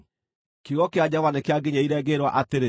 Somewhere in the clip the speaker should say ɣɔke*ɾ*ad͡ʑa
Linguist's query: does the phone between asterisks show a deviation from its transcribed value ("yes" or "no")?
yes